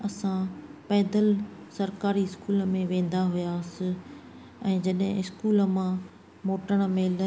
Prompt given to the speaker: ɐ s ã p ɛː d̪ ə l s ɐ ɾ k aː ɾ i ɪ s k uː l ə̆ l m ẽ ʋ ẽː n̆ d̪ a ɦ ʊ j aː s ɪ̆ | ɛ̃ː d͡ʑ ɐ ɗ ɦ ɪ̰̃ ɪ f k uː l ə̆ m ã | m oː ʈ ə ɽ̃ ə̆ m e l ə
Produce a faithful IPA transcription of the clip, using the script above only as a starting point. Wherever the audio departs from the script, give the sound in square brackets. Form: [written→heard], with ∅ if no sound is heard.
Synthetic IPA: ɐ s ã p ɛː d̪ ə l s ɐ ɾ k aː ɾ i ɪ s k uː l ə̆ [l→∅] m ẽ ʋ ẽː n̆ d̪ a ɦ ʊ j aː s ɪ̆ | ɛ̃ː d͡ʑ ɐ ɗ ɦ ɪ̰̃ ɪ [f→s] k uː l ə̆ m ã | m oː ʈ ə ɽ̃ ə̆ m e l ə